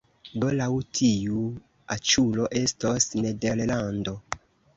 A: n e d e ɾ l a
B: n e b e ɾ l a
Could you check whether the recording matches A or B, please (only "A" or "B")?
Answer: A